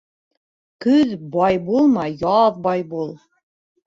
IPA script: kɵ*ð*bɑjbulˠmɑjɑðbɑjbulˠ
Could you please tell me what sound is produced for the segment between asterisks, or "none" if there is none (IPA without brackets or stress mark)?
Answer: ð